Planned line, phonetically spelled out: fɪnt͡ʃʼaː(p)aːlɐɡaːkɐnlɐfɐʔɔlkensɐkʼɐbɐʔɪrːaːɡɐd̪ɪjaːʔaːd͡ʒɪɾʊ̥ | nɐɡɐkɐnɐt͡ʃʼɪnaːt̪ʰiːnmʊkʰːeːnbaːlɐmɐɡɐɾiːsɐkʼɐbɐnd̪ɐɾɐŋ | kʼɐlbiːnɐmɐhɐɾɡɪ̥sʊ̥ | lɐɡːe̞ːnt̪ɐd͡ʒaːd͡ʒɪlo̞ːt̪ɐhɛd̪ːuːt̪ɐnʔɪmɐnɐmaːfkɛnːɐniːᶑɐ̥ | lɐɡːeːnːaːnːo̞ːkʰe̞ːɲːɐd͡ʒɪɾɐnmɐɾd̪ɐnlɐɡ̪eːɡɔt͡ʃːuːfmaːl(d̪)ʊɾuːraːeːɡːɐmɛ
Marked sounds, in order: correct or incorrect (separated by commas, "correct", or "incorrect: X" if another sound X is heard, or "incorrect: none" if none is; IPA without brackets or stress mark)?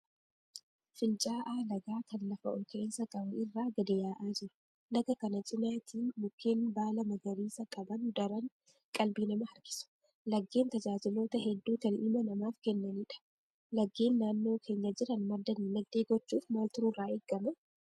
incorrect: ʔ, incorrect: t̪